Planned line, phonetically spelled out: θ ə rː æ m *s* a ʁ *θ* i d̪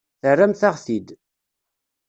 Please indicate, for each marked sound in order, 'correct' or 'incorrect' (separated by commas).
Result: incorrect, correct